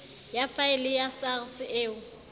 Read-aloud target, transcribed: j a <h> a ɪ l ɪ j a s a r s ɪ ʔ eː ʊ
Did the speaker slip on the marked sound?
yes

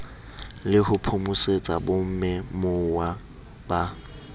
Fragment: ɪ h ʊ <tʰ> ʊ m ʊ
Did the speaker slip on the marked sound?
yes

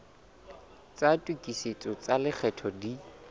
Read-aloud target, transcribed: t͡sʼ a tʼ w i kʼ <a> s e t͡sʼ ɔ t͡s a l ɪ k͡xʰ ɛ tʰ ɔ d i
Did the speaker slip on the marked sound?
yes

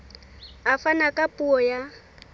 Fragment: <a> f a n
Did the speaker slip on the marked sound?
no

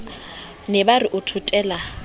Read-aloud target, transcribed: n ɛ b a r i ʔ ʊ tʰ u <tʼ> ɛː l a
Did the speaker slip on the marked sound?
no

